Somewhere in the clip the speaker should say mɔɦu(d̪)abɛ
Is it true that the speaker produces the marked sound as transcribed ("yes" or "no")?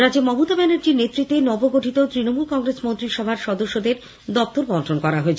no